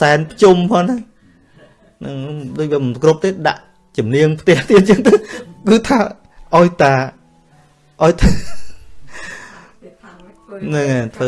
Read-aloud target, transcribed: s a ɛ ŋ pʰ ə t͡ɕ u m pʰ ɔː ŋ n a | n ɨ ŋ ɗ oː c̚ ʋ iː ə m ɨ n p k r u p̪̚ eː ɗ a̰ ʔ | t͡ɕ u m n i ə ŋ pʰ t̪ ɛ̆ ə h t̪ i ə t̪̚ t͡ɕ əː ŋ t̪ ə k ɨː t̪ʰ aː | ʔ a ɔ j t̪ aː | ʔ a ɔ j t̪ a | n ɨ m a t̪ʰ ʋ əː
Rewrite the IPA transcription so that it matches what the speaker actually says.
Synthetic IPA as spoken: s a ɛ n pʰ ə t͡ɕ u m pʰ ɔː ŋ n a | n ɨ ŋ ɗ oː c̚ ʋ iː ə m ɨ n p k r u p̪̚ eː ɗ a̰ ʔ | t͡ɕ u m n i ə ŋ pʰ t̪ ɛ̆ ə h t̪ i ə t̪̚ t͡ɕ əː ŋ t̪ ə k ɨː t̪ʰ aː | ʔ a ɔ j t̪ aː | ʔ a ɔ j t̪ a | n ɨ ŋ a t̪ʰ ʋ əː